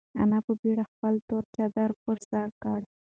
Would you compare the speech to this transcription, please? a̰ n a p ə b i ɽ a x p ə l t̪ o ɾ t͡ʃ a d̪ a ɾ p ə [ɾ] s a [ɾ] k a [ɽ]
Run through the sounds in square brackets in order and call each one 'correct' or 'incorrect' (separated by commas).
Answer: correct, correct, correct